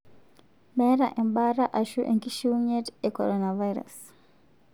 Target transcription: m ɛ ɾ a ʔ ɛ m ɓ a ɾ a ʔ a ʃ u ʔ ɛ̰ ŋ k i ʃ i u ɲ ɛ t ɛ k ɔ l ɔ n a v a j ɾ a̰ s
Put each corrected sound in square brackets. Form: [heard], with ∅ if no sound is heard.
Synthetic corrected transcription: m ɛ ɾ a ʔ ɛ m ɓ a ɾ a ʔ a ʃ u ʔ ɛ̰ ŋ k i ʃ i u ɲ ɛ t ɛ k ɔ [ɾ] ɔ n a v a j ɾ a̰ s